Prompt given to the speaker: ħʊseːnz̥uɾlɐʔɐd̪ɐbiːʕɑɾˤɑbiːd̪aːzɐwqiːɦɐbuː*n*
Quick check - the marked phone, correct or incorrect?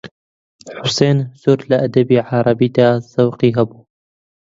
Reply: incorrect